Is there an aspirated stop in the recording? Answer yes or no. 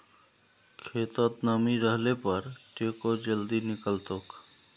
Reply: yes